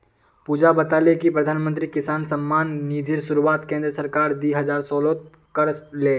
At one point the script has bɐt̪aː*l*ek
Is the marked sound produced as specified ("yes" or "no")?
yes